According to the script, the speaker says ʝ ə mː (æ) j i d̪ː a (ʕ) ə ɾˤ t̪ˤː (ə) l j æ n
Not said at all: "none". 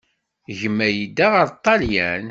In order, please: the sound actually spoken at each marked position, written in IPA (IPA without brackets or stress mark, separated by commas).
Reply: æ, ʁ, ɑ